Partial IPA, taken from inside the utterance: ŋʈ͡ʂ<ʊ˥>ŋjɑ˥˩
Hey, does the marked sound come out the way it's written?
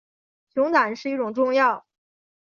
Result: no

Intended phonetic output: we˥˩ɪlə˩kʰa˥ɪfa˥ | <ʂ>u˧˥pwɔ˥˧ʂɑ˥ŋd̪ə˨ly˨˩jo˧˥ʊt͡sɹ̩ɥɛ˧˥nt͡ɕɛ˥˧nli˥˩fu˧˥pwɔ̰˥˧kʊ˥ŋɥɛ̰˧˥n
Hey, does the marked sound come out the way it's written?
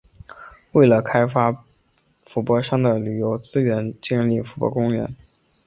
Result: no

